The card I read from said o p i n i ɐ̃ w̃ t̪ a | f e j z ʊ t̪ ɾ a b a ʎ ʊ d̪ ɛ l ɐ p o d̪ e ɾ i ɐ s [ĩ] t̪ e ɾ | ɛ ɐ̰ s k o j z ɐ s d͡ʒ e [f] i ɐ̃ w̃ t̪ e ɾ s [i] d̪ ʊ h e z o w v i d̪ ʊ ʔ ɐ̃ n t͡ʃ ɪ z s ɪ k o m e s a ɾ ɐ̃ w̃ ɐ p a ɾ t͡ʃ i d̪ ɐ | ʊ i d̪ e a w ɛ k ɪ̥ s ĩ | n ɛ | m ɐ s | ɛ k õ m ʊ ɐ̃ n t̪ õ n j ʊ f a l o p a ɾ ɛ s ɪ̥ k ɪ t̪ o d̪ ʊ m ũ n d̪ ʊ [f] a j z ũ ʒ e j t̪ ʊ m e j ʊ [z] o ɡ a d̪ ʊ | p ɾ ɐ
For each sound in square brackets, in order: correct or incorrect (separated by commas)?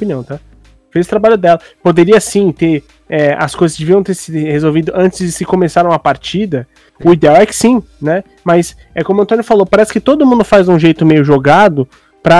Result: correct, incorrect, correct, correct, incorrect